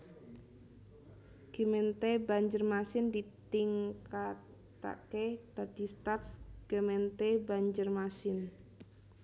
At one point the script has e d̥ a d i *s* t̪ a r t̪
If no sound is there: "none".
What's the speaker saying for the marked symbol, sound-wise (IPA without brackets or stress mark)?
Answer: s